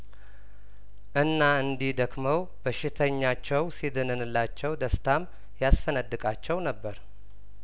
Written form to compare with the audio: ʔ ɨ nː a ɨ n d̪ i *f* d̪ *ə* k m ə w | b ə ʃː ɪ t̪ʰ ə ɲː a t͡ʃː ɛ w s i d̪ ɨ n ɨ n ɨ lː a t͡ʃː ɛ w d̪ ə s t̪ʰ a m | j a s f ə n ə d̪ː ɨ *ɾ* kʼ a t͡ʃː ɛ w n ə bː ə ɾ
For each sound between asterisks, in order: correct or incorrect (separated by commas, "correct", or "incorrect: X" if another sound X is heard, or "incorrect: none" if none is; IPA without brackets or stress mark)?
incorrect: h, correct, incorrect: none